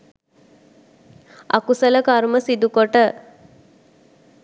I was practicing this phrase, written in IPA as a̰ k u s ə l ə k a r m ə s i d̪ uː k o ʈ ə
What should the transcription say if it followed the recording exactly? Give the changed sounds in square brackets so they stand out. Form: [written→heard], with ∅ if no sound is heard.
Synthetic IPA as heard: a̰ k u s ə l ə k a [r→ɾ] m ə s i d̪ [uː→u] k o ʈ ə